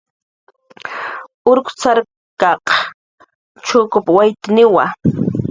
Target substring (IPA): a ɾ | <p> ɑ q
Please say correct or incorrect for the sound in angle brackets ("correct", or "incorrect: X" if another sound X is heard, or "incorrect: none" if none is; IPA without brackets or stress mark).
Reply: incorrect: k